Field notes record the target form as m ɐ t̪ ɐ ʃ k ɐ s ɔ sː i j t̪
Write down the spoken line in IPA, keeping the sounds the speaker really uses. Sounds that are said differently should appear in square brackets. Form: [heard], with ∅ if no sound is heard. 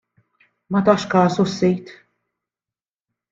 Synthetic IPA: m ɐ t̪ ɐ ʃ k [ɐː] s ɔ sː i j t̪